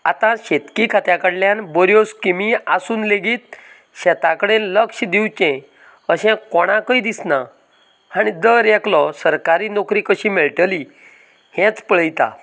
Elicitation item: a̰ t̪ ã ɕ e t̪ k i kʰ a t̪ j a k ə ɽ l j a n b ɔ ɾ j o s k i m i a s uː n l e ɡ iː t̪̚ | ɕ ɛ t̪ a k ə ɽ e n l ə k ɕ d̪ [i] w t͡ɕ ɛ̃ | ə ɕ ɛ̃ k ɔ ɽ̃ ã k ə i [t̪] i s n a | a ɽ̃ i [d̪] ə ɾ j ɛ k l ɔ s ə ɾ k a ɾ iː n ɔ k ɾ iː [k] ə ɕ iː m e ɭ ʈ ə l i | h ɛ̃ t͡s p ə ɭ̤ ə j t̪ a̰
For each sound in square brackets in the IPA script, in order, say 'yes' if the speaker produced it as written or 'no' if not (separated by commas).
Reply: yes, no, yes, yes